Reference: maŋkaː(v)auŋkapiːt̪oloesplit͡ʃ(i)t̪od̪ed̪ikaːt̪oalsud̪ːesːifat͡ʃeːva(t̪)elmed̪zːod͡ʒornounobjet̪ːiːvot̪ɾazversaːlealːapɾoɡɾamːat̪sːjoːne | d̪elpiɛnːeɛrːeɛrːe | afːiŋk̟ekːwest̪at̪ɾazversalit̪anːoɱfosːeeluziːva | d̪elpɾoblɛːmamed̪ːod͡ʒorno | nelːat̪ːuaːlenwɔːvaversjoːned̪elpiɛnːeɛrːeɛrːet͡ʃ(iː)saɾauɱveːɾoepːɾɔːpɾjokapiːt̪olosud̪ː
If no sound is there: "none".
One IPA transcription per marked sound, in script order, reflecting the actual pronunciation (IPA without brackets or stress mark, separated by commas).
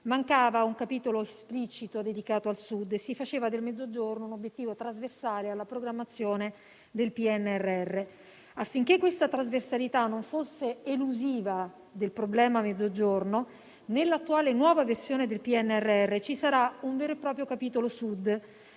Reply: v, i, d̪, i